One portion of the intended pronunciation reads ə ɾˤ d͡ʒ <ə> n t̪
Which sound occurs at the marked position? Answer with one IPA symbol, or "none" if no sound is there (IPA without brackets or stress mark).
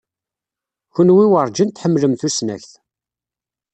ə